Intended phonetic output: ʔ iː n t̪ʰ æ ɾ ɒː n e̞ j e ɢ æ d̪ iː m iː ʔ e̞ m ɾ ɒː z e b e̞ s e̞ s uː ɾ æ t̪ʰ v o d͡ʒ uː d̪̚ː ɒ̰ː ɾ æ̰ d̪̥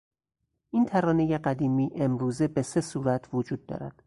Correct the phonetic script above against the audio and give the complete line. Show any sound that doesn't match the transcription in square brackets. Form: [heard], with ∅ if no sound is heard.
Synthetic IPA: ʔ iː n t̪ʰ æ ɾ ɒː n e̞ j e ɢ æ d̪ iː m iː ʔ e̞ m ɾ [uː] z e b e̞ s e̞ s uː ɾ æ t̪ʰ v o d͡ʒ uː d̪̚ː ɒ̰ː ɾ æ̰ d̪̥